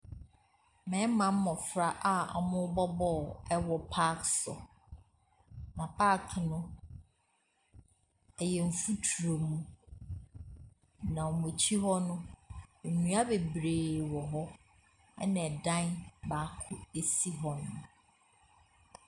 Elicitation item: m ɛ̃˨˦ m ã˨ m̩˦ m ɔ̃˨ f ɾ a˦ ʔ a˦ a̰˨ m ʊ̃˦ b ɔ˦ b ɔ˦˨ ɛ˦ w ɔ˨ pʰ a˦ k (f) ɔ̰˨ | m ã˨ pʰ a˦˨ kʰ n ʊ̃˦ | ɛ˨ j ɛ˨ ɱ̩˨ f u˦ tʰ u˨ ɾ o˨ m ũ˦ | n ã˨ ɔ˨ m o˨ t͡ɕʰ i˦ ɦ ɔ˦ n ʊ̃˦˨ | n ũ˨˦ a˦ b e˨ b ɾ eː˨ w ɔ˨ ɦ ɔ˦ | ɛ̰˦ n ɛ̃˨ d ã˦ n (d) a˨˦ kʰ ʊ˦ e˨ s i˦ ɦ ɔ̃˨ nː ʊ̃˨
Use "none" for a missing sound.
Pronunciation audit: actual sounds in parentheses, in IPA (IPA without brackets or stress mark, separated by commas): s, b